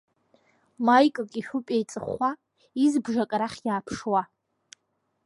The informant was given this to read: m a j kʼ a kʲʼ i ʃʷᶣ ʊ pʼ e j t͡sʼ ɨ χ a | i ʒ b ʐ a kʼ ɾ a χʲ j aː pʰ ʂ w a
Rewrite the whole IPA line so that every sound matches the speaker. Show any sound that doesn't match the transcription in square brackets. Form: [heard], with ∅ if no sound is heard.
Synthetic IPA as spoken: m a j kʼ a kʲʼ i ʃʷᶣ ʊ pʼ e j t͡sʼ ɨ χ a | i [z] b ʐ a kʼ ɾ a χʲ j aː pʰ ʂ w a